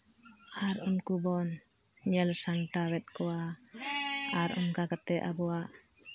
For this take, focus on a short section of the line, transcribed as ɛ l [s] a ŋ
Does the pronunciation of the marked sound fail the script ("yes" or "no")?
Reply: no